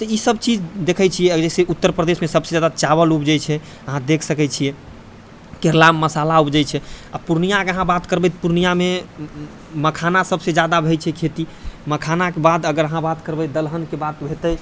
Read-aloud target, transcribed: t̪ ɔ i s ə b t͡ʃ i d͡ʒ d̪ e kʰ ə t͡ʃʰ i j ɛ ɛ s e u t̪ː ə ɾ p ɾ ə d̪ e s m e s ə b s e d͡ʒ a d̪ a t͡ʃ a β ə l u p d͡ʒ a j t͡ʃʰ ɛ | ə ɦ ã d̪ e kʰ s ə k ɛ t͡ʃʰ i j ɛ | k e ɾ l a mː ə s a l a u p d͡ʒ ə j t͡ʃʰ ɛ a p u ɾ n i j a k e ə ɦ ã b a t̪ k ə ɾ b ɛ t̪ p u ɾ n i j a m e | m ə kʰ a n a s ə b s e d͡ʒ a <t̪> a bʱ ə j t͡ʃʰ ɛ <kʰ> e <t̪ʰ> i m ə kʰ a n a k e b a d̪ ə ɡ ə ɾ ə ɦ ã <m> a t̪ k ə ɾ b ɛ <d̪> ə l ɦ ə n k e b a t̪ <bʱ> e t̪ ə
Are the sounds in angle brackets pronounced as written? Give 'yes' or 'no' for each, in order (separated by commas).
no, yes, no, no, yes, yes